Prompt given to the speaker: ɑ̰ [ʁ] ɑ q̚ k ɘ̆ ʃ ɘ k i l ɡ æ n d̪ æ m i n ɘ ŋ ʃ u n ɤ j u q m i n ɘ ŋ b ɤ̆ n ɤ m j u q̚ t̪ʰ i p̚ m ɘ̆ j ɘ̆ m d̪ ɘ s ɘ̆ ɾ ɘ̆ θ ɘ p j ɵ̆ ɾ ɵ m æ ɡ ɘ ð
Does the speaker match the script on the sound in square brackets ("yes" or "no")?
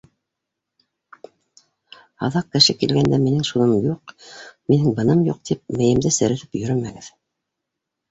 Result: no